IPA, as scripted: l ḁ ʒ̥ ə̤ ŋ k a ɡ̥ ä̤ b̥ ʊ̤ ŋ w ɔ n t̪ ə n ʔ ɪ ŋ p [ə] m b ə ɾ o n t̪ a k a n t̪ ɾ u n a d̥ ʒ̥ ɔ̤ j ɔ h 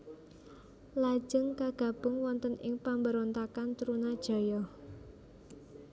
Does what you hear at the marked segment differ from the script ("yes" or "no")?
yes